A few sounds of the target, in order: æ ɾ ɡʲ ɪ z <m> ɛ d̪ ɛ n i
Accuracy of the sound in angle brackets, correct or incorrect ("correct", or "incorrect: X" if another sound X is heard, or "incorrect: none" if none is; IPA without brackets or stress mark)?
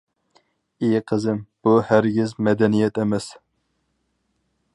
correct